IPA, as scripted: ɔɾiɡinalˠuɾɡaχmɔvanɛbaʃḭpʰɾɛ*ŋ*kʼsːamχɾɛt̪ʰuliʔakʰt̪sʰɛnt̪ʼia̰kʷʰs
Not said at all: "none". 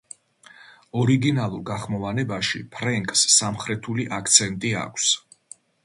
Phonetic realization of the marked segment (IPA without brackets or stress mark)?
ŋ